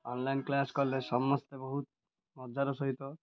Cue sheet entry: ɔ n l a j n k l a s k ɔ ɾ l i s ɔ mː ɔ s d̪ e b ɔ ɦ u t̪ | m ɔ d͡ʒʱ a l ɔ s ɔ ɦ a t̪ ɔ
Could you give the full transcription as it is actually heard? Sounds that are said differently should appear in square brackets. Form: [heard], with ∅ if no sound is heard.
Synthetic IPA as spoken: ɔ n l a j n k l a s k ɔ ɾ l [e] s ɔ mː ɔ s [t̪] e b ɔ ɦ u t̪ | m ɔ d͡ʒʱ a [ɾ] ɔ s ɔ ɦ [i] t̪ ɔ